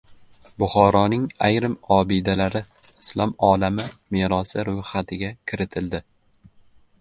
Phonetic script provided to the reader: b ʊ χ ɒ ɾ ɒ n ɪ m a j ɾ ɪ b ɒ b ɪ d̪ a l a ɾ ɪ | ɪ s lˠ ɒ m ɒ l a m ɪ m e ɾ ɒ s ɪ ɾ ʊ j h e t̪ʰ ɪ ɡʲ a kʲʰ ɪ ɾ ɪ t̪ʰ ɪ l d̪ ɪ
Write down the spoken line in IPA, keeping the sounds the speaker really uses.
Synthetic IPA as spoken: b ʊ χ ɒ ɾ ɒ n ɪ ŋ a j ɾ ɪ m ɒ b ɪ d̪ a l a ɾ ɪ | ɪ s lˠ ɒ m ɒ l a m ɪ m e ɾ ɒ s ɪ ɾ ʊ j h a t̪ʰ ɪ ɡʲ a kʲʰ ɪ ɾ ɪ t̪ʰ ɪ l d̪ ɪ